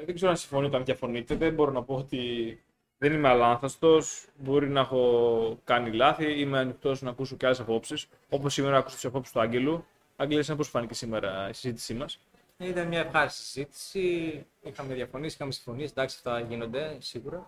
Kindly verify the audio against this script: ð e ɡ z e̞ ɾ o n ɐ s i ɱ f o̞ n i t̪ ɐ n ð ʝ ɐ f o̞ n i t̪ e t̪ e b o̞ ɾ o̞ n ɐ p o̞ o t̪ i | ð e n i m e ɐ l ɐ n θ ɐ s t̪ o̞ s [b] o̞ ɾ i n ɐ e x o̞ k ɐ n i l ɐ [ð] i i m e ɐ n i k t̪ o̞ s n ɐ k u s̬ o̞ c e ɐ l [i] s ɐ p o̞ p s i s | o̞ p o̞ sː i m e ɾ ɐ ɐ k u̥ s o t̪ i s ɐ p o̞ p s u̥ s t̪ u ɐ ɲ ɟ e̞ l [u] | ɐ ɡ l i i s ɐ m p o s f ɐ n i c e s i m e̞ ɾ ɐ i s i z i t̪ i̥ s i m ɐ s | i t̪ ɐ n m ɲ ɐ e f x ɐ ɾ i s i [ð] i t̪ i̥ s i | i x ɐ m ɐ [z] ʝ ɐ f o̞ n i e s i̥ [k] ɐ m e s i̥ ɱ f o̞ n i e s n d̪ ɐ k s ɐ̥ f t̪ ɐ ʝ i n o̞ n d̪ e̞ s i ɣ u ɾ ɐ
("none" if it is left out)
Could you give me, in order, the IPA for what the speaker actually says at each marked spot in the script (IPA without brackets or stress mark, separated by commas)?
b, θ, e, u, z, ð, x